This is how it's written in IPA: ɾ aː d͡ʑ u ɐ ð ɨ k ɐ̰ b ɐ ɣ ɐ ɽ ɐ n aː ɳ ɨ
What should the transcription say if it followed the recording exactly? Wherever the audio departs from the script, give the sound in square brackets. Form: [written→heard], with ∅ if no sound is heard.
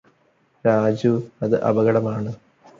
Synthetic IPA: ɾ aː d͡ʑ u ɐ ð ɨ [k→ʔ] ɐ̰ b ɐ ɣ ɐ ɽ ɐ [n→m] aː ɳ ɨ